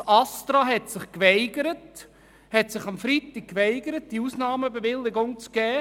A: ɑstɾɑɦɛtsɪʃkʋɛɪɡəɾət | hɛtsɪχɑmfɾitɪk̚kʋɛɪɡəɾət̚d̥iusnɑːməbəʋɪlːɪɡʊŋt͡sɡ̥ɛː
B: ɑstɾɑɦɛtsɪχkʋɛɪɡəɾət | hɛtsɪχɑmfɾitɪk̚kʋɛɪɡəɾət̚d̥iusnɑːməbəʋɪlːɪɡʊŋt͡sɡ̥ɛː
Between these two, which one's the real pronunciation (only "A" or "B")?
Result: B